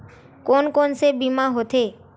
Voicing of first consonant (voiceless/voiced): voiceless